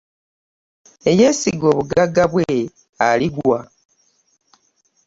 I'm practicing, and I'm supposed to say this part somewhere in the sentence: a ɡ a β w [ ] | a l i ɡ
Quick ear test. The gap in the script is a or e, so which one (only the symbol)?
e